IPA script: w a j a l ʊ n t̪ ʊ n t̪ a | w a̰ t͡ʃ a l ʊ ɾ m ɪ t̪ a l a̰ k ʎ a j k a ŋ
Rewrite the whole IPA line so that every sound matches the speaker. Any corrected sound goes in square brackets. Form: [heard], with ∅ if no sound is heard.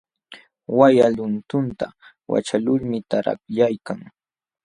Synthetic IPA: w a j a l ʊ n t̪ ʊ n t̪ a | w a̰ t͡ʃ a l ʊ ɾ m ɪ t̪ a [ɾ] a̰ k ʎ a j k a ŋ